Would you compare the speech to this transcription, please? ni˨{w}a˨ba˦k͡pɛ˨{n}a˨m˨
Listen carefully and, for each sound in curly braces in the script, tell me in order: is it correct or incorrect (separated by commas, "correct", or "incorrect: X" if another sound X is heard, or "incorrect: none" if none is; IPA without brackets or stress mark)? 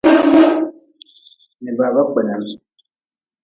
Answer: incorrect: b, correct